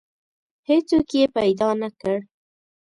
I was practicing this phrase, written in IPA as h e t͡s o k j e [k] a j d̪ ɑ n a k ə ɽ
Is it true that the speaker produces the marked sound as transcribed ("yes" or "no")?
no